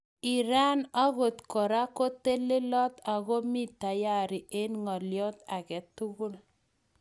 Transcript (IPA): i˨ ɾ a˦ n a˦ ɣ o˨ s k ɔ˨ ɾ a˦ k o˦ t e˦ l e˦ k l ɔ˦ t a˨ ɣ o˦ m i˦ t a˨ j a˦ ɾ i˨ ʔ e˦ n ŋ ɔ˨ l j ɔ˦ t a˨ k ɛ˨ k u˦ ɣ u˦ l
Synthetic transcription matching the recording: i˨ ɾ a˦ n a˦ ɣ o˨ t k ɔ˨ ɾ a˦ k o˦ t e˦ l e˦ l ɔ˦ t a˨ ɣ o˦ m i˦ t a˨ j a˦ ɾ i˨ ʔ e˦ n ŋ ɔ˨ l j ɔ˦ t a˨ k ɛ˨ t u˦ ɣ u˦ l